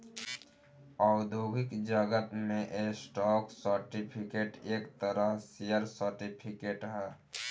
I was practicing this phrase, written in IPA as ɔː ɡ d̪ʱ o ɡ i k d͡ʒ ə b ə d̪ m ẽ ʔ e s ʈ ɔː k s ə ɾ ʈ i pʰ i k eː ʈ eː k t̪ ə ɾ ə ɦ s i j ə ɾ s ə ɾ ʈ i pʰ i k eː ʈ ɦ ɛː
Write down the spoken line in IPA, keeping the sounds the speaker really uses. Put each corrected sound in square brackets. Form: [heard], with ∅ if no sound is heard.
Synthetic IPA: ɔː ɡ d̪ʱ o ɡ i k d͡ʒ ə [ɡ] ə [t̪] m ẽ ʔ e s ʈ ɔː k s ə ɾ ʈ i pʰ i k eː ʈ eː k t̪ ə ɾ ə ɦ s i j ə ɾ s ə ɾ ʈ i pʰ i k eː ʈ ɦ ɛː